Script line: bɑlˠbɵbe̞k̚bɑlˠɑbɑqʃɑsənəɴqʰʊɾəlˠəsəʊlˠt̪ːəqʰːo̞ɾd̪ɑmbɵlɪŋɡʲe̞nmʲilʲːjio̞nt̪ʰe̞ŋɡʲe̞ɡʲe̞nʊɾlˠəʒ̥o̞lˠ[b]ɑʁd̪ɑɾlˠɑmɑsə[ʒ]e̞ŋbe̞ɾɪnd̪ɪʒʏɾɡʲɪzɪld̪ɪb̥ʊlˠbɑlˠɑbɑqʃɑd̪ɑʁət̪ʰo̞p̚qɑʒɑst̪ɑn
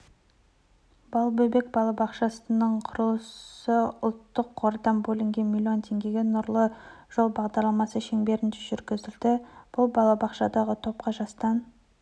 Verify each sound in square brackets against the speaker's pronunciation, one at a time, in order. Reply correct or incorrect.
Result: correct, incorrect

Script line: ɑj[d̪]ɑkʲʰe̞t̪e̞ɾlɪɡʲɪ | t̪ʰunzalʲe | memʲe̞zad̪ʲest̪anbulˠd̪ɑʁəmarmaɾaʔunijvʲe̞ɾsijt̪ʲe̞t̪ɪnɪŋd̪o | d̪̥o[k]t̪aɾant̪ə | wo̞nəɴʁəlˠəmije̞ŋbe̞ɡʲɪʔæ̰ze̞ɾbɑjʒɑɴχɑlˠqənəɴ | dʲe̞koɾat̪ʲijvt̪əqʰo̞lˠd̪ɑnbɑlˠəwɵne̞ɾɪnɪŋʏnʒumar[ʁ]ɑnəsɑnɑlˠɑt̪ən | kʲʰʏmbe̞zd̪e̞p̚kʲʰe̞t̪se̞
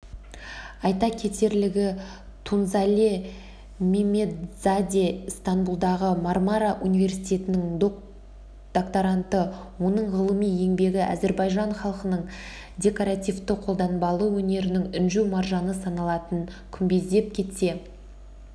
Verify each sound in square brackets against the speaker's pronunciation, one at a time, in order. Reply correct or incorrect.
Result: incorrect, correct, incorrect

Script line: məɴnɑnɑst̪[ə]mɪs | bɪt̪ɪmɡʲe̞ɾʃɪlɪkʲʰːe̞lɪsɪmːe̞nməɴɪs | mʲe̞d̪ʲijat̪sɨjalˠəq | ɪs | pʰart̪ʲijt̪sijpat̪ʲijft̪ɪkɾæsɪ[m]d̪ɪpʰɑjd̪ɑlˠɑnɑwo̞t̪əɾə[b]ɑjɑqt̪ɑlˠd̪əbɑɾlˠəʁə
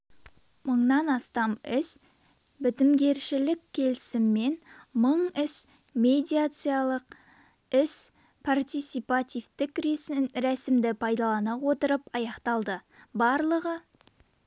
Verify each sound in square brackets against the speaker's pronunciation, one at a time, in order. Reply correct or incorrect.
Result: incorrect, correct, incorrect

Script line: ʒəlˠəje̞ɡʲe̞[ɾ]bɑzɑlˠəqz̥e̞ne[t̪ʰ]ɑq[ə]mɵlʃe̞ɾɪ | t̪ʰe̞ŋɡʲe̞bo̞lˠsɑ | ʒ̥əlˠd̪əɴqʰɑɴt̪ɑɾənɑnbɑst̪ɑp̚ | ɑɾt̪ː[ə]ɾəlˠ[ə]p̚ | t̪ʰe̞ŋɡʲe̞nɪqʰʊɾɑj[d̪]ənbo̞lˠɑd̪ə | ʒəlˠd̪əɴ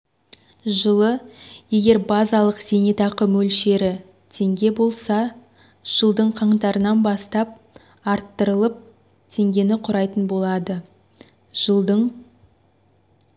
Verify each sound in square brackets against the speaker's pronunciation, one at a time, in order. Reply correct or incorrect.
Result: correct, incorrect, correct, correct, correct, incorrect

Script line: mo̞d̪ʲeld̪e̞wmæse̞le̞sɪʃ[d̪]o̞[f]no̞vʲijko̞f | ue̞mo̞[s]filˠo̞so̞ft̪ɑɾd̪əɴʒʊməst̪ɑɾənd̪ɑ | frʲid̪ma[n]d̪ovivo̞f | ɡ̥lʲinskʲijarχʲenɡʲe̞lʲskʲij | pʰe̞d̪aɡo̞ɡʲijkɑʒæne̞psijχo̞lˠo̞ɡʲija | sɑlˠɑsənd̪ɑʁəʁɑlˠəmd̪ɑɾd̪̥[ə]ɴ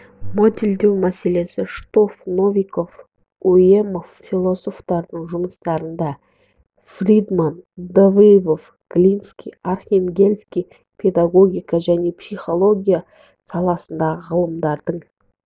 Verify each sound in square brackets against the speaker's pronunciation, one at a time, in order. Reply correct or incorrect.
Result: incorrect, correct, incorrect, correct, correct

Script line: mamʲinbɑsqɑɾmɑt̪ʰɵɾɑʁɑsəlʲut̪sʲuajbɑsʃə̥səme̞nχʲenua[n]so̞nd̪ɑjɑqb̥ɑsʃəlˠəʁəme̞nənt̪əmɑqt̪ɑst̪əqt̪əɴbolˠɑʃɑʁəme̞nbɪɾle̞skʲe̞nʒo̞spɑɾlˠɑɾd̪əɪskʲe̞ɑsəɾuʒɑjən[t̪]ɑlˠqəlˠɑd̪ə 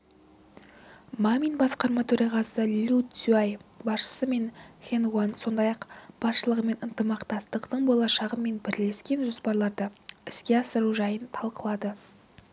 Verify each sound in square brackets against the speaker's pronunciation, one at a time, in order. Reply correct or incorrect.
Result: correct, incorrect

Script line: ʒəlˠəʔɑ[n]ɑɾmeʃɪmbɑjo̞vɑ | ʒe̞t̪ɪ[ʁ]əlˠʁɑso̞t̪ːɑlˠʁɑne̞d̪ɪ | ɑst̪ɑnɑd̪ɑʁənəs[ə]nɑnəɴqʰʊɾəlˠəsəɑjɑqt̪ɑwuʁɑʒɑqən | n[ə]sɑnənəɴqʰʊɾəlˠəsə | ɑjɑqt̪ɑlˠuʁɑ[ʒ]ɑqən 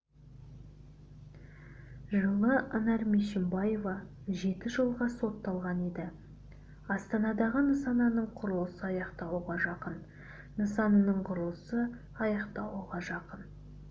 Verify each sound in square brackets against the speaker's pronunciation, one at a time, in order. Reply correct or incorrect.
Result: correct, incorrect, incorrect, correct, correct

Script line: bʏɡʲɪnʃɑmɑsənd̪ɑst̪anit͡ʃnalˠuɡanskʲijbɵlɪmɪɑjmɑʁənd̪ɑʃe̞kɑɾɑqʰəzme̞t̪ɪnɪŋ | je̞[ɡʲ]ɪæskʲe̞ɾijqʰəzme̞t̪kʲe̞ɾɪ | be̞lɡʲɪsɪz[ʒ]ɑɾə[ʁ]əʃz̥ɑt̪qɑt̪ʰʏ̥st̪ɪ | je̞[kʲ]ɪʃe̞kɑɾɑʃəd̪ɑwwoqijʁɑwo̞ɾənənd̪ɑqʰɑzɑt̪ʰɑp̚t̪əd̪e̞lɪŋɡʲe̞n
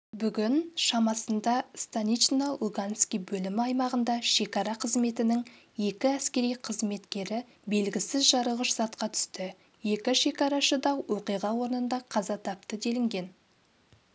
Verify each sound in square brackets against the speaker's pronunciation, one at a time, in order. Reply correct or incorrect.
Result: incorrect, correct, correct, correct

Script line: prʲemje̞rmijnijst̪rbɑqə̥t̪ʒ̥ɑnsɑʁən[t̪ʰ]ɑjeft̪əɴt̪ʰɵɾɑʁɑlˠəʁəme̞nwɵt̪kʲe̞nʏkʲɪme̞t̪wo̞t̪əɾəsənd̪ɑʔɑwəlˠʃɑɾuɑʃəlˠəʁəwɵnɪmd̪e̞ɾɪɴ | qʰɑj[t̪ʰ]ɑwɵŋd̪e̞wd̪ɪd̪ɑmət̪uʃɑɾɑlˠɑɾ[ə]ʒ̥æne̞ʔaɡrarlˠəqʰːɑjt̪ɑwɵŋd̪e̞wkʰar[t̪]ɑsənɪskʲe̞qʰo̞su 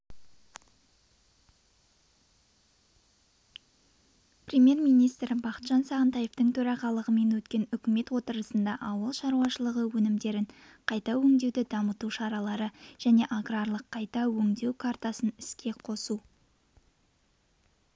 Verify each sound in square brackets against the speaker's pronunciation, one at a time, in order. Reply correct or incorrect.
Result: incorrect, incorrect, correct, correct

